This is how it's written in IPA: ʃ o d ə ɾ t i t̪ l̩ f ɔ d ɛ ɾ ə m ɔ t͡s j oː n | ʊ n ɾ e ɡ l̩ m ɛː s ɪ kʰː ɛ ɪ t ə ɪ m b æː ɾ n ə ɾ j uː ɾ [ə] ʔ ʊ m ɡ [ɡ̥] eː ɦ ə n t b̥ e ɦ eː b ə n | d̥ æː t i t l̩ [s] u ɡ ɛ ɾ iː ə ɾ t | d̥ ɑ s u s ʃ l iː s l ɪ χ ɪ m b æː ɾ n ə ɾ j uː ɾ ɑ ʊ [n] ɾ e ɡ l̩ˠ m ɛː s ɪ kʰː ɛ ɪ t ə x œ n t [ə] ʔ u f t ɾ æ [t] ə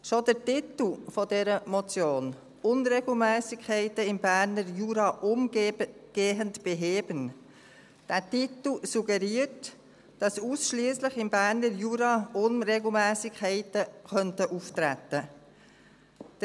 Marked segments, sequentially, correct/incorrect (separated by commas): incorrect, correct, correct, correct, correct, correct